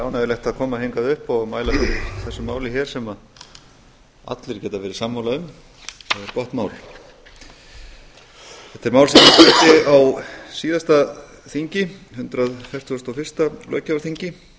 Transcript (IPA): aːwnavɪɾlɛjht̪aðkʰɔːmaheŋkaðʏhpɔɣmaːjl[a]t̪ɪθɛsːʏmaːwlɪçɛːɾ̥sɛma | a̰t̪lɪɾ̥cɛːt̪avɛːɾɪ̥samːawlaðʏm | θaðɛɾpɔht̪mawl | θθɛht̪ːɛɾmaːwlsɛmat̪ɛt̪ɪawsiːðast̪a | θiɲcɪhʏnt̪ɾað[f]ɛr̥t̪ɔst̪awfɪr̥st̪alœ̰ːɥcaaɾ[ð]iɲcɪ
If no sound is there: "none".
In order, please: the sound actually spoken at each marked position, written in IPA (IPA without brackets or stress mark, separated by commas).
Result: a, f, θ